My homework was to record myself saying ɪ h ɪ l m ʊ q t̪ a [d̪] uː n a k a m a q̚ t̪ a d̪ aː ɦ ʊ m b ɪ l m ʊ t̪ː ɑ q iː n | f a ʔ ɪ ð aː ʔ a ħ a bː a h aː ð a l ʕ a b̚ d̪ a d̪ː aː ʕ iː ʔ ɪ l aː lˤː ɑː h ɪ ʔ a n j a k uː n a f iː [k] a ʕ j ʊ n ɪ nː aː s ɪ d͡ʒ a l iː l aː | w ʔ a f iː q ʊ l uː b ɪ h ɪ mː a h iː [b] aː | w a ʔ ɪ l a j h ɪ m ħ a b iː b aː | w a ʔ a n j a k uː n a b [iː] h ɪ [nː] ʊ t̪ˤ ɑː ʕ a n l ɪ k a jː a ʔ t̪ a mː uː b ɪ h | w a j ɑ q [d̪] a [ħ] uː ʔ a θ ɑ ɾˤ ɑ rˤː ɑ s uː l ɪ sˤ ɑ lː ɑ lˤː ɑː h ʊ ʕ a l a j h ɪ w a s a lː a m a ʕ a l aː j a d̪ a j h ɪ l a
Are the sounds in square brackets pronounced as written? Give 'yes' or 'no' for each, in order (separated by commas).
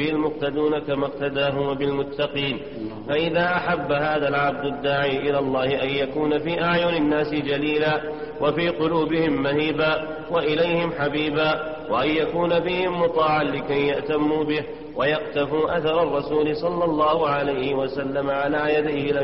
yes, no, yes, yes, no, no, no